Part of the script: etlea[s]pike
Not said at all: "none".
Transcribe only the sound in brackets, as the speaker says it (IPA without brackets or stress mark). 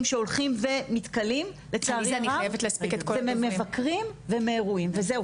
s